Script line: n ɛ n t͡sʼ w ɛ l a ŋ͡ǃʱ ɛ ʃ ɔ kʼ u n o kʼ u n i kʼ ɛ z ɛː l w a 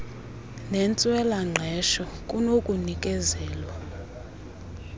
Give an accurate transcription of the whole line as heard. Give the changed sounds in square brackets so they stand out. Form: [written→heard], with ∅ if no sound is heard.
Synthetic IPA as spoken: n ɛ n t͡sʼ w ɛ l a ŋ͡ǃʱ ɛ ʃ ɔ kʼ u n o kʼ u n i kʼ ɛ z ɛː l w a